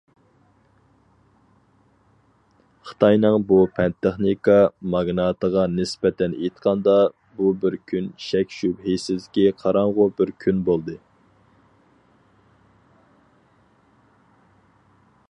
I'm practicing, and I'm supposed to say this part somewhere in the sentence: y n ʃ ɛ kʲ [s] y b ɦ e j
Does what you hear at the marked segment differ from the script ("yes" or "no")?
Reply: yes